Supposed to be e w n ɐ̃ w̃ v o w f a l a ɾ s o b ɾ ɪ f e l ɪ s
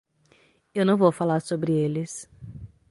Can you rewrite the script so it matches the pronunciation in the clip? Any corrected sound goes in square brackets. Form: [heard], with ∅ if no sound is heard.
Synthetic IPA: e w n ɐ̃ w̃ v o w f a l a ɾ s o b ɾ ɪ [∅] e l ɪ s